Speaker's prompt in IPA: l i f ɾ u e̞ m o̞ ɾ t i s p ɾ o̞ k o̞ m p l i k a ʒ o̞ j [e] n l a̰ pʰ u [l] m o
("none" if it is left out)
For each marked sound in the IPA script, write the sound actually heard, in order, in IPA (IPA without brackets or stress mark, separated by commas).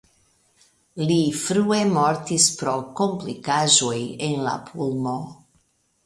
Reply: e, l